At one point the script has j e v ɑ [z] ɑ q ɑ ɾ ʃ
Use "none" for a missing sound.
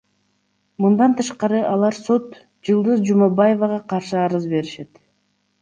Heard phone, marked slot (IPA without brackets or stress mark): ʁ